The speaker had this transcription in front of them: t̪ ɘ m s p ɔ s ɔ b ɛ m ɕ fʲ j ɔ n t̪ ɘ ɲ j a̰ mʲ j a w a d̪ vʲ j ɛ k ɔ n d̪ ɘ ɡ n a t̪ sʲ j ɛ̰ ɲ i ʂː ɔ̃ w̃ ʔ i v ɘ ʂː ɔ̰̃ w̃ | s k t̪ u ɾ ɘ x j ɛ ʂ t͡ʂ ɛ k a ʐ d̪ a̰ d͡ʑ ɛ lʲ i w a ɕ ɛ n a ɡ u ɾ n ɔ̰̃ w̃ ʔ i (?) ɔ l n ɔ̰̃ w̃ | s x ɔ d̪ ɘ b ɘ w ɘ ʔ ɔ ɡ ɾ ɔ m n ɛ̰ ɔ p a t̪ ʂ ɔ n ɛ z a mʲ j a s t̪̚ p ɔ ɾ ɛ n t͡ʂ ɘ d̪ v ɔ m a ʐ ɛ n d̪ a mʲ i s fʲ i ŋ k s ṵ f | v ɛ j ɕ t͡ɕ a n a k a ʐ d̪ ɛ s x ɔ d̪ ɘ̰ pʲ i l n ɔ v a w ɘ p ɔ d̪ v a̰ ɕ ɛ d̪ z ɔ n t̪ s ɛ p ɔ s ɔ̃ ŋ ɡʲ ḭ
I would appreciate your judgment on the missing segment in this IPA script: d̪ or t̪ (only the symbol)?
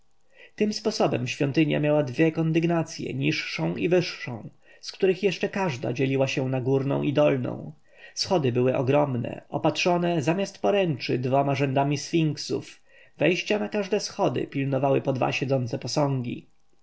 d̪